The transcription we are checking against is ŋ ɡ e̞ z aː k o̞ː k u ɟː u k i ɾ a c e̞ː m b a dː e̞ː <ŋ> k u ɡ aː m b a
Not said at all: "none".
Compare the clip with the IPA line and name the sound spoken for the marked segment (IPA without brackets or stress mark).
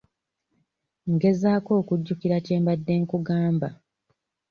ŋ